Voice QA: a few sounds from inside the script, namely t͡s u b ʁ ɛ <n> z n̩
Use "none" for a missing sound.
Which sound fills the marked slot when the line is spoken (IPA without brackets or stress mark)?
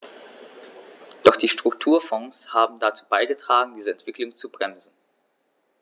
m